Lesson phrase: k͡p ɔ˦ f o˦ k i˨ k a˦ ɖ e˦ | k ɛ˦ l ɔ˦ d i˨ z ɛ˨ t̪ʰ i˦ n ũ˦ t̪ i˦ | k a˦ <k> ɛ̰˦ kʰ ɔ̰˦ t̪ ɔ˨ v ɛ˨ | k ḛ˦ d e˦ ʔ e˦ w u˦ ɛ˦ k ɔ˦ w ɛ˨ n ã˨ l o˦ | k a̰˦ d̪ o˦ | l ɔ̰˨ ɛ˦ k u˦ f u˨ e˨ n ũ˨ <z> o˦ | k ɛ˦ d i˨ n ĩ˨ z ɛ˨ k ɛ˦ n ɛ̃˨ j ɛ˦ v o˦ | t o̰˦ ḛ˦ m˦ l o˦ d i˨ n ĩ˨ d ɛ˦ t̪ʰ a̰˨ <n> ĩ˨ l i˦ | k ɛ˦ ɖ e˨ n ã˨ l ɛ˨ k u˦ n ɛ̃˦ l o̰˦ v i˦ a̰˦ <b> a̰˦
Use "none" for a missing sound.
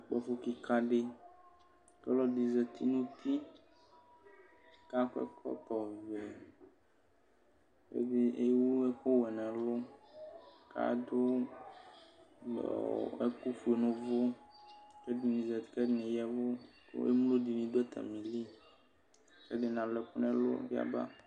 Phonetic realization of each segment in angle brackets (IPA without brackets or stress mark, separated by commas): k, v, m, b